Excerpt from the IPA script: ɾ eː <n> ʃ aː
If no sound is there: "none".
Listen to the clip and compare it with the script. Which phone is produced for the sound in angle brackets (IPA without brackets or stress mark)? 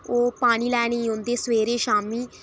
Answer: none